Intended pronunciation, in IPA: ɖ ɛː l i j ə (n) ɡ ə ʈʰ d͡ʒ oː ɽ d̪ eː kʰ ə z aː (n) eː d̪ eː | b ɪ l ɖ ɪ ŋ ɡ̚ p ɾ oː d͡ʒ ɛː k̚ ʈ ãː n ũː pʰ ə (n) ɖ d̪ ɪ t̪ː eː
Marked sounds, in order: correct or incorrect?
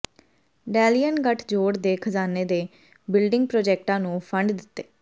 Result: correct, correct, incorrect: ɳ

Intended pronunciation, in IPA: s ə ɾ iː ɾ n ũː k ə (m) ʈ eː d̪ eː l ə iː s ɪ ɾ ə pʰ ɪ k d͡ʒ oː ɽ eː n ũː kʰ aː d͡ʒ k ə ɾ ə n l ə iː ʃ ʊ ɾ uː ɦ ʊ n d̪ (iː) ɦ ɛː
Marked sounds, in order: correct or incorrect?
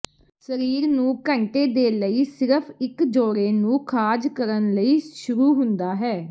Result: incorrect: ɳ, incorrect: aː

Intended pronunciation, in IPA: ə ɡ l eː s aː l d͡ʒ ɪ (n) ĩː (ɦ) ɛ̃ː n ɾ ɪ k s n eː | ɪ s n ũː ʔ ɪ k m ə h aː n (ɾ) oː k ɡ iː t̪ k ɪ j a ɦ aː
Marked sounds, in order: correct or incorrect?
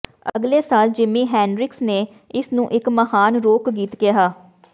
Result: incorrect: m, correct, correct

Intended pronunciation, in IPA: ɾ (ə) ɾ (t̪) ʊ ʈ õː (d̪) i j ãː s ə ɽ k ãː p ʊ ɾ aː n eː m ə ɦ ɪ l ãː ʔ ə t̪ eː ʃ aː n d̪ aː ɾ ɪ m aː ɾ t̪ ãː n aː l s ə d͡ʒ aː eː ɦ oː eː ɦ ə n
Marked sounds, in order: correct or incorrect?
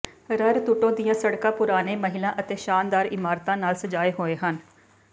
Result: correct, correct, correct

